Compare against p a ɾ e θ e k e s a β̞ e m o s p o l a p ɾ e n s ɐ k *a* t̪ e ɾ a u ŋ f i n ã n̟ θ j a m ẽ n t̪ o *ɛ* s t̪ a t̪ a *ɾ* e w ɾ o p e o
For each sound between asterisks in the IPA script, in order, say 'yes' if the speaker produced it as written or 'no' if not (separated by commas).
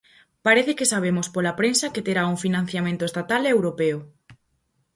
no, no, no